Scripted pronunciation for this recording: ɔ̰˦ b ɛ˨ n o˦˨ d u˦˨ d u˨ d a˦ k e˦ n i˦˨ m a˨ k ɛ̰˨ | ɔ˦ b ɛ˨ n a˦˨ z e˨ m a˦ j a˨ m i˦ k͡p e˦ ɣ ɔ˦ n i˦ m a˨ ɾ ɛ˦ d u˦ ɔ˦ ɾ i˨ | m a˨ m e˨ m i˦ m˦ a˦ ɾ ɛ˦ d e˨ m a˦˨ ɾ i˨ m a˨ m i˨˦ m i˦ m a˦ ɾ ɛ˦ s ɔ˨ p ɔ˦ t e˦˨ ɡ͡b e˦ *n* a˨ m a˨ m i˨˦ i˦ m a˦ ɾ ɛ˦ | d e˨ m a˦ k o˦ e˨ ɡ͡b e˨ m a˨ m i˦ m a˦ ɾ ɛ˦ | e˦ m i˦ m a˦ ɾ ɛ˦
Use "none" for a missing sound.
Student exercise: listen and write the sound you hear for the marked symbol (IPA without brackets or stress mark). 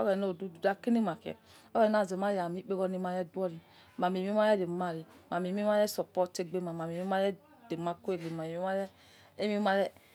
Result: m